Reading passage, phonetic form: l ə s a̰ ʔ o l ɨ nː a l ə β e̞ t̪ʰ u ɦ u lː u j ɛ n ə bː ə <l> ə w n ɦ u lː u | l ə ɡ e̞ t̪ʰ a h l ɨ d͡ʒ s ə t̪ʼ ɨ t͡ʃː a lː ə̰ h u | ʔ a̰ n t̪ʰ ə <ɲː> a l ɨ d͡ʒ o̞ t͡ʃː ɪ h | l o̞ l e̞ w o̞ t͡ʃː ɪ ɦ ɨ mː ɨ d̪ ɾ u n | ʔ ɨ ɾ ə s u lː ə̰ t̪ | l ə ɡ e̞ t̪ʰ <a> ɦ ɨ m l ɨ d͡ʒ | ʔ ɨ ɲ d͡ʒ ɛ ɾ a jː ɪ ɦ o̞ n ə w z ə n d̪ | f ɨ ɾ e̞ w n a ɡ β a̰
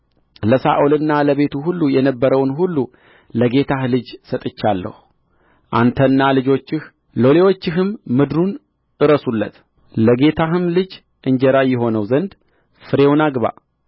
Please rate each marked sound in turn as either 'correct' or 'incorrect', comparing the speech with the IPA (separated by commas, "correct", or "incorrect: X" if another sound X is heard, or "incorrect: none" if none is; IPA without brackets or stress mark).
incorrect: ɾ, incorrect: nː, correct